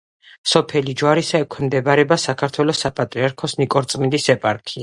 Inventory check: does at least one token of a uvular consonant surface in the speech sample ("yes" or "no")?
no